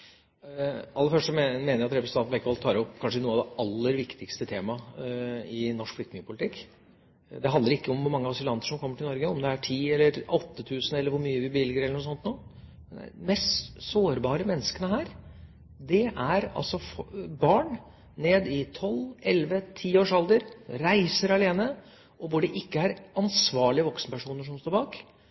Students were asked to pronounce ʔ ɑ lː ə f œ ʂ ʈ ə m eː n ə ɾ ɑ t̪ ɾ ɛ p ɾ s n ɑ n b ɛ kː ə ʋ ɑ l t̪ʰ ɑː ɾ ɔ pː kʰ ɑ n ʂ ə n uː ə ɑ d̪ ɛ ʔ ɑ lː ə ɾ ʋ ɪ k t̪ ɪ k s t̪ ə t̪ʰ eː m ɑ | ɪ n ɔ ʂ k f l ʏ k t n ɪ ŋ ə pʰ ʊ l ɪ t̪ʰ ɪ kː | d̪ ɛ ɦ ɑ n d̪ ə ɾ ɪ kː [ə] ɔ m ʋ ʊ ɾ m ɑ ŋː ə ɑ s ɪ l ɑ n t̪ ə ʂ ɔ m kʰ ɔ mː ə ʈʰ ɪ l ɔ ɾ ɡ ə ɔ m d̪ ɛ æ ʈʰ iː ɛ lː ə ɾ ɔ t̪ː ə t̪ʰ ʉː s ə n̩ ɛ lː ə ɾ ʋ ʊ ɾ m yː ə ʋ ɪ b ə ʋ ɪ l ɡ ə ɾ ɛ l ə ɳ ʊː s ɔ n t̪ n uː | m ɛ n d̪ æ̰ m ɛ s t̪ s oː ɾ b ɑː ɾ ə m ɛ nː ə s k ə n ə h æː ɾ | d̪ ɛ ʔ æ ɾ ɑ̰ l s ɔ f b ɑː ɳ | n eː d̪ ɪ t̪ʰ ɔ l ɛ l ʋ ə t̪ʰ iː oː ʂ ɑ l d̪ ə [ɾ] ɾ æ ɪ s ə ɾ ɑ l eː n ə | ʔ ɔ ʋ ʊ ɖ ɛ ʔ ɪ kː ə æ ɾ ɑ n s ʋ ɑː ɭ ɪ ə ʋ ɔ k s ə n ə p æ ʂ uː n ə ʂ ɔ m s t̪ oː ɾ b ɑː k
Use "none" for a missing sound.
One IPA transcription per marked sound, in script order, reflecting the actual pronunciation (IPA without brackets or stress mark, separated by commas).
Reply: ə, ɾ